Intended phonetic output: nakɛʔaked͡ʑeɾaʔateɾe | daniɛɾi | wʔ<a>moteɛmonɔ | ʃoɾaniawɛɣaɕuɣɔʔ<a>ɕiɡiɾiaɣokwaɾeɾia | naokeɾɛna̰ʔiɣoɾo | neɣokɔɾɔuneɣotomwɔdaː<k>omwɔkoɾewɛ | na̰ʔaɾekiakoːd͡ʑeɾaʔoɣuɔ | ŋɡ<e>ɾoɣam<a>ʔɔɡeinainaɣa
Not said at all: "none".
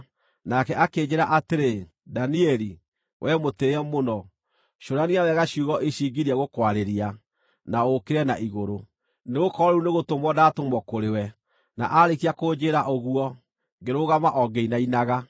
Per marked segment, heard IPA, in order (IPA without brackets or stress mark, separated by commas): ɛ, e, t, e, a